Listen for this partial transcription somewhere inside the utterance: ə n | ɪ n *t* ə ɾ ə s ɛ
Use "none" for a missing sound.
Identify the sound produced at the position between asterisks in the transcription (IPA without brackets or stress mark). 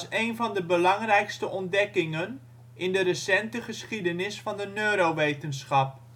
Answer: d